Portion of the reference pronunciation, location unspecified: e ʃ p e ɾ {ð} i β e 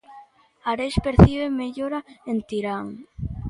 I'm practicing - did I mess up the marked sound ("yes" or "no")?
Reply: yes